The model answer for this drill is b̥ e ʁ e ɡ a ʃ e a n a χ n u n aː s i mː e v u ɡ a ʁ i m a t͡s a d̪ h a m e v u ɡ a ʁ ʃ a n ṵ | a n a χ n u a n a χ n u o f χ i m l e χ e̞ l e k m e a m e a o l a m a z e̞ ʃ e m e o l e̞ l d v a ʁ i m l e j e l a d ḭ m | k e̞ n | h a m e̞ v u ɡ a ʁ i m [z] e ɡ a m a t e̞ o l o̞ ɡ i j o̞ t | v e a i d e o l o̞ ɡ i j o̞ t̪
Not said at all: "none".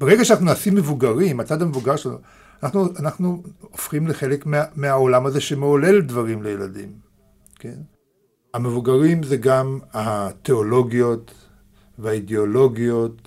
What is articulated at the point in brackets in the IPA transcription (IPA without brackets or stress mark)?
z